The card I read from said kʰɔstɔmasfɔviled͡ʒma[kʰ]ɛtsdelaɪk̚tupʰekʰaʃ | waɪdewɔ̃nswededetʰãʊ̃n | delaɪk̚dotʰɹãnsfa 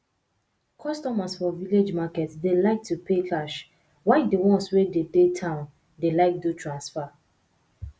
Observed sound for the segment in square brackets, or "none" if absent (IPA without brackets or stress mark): k